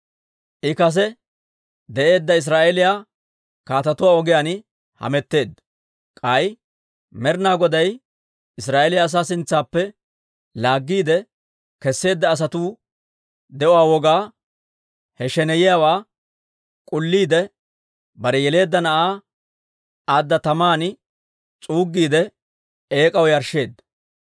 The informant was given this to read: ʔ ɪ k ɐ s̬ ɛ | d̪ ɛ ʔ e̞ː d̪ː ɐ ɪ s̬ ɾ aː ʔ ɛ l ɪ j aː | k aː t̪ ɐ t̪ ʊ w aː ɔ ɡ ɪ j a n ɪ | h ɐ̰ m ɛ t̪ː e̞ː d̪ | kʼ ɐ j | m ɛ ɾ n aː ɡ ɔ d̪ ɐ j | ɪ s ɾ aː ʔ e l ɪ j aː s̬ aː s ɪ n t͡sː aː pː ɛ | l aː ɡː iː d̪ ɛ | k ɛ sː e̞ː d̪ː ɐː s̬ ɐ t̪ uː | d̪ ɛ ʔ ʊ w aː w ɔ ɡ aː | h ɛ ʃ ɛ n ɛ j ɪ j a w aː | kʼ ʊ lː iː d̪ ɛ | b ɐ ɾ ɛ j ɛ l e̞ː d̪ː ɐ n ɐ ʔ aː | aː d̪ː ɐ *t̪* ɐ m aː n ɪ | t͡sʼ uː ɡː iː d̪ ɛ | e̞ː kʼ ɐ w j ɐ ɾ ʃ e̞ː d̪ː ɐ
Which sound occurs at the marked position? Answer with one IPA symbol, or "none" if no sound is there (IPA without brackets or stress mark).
t̪